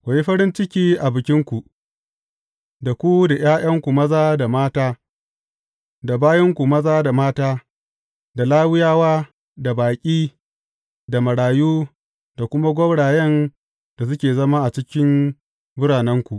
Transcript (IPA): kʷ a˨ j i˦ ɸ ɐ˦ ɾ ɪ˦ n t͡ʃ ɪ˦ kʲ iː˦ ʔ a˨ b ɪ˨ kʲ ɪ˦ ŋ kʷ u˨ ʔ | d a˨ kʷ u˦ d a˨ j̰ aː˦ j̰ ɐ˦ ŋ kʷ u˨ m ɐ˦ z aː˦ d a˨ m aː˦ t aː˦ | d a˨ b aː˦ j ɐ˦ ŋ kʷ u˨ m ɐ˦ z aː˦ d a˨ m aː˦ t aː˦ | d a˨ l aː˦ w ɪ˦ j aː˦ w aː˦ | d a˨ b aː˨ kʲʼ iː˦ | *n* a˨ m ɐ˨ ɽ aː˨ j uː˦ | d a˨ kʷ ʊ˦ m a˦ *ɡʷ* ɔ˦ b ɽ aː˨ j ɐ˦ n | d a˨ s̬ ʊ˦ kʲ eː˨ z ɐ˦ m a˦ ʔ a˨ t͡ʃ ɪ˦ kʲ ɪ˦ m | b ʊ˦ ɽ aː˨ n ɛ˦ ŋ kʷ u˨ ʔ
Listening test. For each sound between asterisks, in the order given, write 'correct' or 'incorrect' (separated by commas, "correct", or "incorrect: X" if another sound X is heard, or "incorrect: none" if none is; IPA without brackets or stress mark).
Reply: incorrect: d, correct